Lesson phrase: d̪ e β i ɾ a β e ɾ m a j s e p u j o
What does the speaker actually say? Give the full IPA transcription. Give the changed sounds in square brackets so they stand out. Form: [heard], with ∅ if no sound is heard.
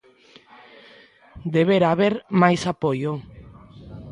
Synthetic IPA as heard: d̪ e β [e] ɾ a β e ɾ m a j s [a] p [o] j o